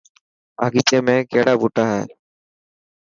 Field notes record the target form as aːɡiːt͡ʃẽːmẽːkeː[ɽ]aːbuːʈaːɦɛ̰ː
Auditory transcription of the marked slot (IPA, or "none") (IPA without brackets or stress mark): ɽ